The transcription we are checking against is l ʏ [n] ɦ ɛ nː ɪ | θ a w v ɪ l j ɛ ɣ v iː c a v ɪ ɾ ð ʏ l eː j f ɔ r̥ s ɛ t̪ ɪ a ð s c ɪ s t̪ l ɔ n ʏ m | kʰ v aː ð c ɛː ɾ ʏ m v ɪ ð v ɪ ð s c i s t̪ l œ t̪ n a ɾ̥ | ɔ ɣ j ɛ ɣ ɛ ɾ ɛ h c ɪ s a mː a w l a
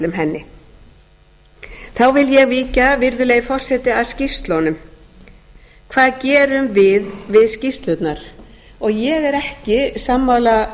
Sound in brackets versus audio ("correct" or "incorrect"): incorrect